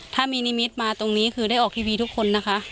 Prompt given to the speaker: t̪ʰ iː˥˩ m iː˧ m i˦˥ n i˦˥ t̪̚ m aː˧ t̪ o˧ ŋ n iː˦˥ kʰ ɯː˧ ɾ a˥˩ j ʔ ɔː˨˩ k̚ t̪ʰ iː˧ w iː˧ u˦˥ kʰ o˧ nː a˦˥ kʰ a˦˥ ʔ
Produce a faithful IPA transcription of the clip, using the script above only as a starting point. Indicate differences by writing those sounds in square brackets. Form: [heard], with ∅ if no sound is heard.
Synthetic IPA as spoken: t̪ʰ [aː˥˩] m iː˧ [n] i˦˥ [m] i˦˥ t̪̚ m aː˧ t̪ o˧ ŋ n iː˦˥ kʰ ɯː˧ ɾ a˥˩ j ʔ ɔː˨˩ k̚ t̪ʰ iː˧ w iː˧ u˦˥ kʰ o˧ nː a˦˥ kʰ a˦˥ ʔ

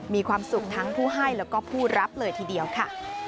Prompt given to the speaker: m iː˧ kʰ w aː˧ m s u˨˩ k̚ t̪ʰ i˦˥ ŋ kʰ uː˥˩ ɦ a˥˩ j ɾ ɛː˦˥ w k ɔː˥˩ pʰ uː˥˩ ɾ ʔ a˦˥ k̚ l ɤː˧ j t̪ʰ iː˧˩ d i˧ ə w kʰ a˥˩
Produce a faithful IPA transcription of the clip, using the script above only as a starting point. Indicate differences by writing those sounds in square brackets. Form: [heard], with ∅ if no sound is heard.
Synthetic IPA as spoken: m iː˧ kʰ w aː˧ m s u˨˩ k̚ t̪ʰ [a˦˥] ŋ [pʰ] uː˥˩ ɦ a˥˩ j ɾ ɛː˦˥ w k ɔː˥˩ pʰ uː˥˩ ɾ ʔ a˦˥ [p̚] l ɤː˧ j t̪ʰ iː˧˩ d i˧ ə w kʰ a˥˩

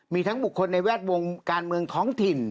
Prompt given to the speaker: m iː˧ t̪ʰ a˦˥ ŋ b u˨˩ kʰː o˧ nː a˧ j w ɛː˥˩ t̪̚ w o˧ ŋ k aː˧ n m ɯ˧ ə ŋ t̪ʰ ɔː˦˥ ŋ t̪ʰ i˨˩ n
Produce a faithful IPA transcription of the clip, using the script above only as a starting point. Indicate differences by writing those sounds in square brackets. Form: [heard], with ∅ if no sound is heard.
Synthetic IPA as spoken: m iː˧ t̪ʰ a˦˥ ŋ b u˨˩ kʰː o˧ nː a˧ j w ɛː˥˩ t̪̚ w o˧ ŋ k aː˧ n m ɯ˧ ə ŋ t̪ʰ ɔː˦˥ ŋ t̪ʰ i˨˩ n

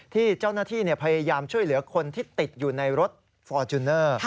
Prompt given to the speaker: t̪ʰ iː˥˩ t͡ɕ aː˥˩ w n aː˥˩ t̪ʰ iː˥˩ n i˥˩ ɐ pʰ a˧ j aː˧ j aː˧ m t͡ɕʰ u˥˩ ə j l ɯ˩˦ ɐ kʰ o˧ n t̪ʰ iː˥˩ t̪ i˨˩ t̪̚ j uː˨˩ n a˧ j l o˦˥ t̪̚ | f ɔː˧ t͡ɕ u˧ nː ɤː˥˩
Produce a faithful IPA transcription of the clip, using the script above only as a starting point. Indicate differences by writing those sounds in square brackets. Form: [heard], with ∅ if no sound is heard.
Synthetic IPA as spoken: t̪ʰ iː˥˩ t͡ɕ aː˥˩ w n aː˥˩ t̪ʰ iː˥˩ n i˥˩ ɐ pʰ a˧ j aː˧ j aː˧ m t͡ɕʰ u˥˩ ə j l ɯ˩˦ ɐ kʰ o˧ n t̪ʰ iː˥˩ t̪ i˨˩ t̪̚ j uː˨˩ n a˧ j [ɾ] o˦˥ t̪̚ | f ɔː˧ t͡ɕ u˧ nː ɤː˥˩

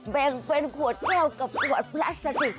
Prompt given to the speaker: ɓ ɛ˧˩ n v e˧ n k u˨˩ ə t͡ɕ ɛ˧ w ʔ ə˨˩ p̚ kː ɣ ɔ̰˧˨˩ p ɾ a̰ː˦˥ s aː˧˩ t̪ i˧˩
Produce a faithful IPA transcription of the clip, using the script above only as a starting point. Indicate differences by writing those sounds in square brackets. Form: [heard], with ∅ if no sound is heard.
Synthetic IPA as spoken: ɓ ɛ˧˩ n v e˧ n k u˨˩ ə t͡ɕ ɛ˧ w [k] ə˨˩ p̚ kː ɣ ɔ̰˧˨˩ p [l] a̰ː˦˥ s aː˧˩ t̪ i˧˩

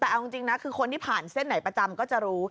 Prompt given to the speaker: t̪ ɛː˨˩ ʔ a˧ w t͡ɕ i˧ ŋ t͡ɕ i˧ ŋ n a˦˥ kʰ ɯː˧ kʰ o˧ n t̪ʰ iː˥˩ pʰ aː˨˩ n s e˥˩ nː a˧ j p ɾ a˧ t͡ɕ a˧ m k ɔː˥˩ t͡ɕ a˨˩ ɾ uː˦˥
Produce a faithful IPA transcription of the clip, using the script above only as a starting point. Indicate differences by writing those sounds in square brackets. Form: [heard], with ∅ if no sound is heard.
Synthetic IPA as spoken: t̪ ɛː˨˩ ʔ a˧ w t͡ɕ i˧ ŋ t͡ɕ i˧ ŋ n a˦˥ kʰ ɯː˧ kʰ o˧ n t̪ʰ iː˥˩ pʰ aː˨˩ n s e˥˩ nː [a˩˦] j p ɾ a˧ t͡ɕ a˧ m k ɔː˥˩ t͡ɕ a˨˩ ɾ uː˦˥

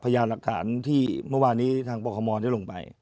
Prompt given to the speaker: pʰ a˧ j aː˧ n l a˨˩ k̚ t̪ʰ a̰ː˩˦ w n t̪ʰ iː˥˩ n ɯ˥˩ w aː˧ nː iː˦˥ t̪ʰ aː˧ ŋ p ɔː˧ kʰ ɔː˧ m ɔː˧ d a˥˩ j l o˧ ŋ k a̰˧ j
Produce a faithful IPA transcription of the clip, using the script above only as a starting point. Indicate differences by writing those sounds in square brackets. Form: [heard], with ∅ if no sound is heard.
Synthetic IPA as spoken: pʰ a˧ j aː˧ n l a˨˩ k̚ t̪ʰ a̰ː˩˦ [∅] n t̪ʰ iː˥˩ [m] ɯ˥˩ w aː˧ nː iː˦˥ t̪ʰ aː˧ ŋ p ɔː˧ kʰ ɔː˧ m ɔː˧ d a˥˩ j l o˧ ŋ [p] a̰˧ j

